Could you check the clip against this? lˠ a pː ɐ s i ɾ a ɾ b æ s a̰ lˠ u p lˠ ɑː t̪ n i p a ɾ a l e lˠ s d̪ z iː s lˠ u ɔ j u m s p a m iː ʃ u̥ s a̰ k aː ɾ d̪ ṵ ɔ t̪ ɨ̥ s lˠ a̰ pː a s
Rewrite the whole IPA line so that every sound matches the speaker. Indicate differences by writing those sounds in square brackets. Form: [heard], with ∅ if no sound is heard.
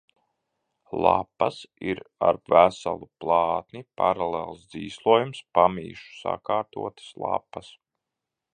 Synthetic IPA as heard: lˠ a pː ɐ s i ɾ a ɾ [v] æ s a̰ lˠ u p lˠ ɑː t̪ n i p a ɾ a l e lˠ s d̪ z iː s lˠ u ɔ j u m s p a m iː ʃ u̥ s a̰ k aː ɾ [t̪] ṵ ɔ t̪ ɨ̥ s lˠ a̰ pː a s